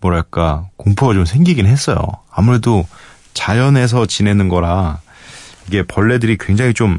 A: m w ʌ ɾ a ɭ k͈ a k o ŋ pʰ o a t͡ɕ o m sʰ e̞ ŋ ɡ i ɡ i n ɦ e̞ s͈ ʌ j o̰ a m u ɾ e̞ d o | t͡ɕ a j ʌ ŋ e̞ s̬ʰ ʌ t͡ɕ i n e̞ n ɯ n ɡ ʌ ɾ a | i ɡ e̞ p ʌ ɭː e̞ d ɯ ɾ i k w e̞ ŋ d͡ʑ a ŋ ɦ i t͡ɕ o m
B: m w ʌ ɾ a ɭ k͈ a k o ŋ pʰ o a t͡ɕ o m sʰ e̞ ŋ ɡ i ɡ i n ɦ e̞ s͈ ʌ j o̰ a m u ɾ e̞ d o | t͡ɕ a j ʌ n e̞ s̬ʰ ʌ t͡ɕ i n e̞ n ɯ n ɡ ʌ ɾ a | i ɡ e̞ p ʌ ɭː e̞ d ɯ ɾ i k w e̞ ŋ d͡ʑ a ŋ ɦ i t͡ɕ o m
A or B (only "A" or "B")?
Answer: B